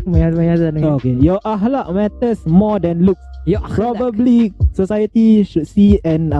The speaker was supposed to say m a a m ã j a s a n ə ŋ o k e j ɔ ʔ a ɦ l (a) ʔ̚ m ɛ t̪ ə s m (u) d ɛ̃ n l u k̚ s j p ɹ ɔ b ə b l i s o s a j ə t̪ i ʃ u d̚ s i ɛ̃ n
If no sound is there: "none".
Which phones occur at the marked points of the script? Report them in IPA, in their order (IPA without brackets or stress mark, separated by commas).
a, ɔ